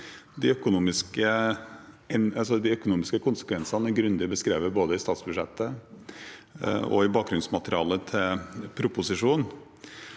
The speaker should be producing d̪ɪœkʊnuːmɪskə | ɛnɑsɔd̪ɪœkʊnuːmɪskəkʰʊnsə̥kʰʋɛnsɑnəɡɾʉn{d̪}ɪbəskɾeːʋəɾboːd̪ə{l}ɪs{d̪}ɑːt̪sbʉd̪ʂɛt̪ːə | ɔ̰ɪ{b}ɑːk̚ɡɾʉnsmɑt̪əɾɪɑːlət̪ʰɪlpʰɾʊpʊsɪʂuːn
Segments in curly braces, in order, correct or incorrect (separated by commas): correct, incorrect, incorrect, correct